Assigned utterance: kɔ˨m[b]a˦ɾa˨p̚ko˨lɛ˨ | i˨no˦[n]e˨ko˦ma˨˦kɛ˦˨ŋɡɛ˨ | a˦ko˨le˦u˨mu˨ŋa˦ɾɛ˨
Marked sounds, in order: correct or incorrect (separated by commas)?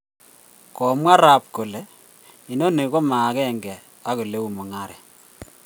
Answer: incorrect, correct